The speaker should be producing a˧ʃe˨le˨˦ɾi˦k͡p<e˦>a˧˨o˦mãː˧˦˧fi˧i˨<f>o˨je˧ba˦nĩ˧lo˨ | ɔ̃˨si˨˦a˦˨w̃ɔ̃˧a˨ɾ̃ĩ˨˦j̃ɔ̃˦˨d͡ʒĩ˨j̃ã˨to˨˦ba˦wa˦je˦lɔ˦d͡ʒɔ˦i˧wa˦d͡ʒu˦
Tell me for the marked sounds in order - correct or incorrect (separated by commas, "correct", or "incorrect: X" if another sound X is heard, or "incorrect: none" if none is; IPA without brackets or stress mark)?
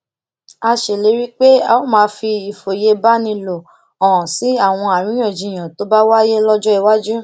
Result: correct, correct